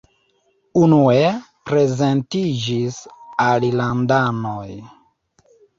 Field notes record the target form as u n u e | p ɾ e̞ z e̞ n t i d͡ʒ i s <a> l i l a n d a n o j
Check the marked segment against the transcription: correct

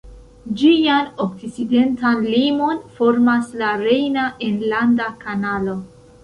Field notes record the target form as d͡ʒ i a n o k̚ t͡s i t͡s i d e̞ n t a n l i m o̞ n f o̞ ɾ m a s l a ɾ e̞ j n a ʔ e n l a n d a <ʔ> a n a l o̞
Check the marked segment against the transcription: incorrect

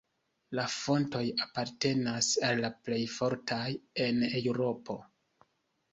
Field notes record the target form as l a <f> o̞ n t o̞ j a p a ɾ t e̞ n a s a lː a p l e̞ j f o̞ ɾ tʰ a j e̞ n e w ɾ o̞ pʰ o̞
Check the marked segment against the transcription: correct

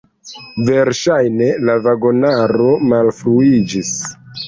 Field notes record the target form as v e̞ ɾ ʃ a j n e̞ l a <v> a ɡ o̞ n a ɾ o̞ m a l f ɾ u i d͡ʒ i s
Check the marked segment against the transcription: correct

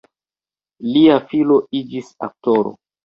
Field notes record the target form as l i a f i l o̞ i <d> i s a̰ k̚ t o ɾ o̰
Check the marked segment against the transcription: incorrect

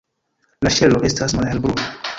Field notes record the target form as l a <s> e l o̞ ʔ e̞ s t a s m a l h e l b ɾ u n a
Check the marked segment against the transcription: incorrect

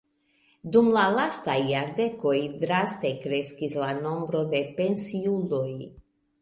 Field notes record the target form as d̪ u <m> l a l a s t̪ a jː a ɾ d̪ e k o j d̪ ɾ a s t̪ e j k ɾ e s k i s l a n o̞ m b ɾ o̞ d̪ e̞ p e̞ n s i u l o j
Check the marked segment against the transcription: correct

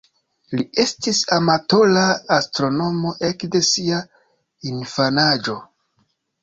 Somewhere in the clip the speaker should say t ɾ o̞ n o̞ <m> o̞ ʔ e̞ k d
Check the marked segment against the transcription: correct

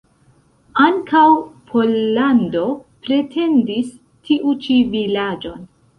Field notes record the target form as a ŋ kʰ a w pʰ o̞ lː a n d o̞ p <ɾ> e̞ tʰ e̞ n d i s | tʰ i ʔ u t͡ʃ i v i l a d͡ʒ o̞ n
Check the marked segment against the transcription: correct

